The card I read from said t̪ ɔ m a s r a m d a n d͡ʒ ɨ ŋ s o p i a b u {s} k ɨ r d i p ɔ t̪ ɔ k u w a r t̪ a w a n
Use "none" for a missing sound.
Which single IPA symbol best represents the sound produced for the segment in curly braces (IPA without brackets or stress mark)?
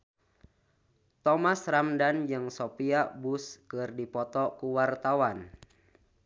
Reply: s